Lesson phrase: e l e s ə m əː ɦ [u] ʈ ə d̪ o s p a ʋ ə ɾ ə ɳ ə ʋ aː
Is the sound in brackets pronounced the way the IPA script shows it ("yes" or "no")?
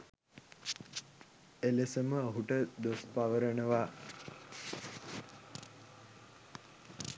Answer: yes